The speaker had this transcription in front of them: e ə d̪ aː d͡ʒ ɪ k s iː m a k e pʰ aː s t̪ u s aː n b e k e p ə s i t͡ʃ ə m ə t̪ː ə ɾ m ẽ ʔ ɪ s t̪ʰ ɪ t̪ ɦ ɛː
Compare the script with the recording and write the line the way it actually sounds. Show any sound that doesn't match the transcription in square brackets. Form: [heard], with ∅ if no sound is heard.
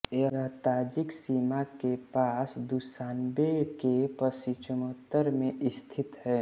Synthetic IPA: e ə [t̪] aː d͡ʒ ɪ k s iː m a k e [p] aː s [d̪] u s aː n b e k e p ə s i t͡ʃ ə m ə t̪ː ə ɾ m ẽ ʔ ɪ s t̪ʰ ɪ t̪ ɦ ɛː